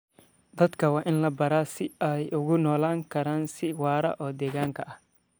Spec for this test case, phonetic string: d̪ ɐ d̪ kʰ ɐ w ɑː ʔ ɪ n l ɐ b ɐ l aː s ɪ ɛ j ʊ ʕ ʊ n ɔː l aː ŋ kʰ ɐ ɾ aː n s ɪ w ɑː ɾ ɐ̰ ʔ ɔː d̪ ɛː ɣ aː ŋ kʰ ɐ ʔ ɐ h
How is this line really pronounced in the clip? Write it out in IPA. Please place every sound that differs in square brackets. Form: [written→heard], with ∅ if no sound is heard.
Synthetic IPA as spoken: d̪ ɐ d̪ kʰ ɐ w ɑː ʔ ɪ n l ɐ b ɐ [l→ɾ] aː s ɪ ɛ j ʊ [ʕ→ɣ] ʊ n ɔː l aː ŋ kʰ ɐ ɾ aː n s ɪ w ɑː ɾ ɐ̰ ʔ ɔː d̪ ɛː ɣ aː ŋ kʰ ɐ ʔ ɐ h